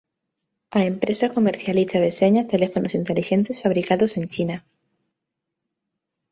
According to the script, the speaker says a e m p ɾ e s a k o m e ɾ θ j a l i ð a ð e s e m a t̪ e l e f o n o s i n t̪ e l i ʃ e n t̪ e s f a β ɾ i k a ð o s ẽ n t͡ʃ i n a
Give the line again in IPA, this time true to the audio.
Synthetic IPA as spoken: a e m p ɾ e s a k o m e ɾ θ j a l i θ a ð e s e ɲ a t̪ e l e f o n o s i n t̪ e l i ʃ e n t̪ e s f a β ɾ i k a ð o s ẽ n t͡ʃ i n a